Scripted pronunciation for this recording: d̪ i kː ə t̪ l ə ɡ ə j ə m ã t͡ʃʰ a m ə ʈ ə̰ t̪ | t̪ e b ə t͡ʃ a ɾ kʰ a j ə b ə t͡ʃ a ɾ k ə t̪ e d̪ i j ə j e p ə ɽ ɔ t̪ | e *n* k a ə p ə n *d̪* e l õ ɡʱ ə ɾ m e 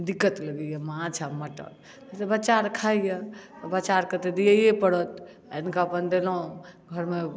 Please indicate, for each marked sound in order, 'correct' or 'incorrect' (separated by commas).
correct, correct